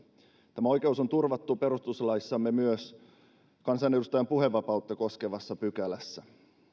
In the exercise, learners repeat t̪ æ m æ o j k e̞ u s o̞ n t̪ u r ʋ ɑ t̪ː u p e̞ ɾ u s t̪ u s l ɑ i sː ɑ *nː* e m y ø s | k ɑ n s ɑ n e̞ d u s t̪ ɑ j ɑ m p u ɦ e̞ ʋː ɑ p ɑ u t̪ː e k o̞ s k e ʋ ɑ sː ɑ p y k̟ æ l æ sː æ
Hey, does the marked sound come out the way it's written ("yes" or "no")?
no